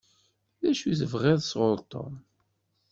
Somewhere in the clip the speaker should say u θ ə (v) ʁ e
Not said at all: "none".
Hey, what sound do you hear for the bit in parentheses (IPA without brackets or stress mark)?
v